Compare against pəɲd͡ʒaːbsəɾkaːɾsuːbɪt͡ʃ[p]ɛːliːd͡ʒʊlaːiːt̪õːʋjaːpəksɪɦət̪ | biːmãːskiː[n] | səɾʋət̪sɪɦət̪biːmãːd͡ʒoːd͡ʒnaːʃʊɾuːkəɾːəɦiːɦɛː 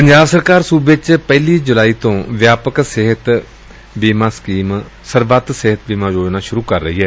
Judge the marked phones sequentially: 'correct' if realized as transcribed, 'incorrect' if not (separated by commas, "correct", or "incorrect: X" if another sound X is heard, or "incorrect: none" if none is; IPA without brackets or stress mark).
correct, incorrect: m